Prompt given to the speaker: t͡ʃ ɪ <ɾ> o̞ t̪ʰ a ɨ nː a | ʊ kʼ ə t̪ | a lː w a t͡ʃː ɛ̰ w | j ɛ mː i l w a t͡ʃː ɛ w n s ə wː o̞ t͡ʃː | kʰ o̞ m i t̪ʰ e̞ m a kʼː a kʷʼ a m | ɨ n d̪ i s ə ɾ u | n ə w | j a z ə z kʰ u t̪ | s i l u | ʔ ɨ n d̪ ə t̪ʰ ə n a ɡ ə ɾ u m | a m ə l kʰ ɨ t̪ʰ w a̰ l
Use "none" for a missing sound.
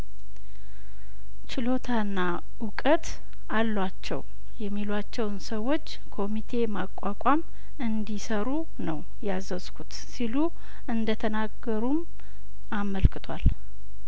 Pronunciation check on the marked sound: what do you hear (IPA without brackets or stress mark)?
l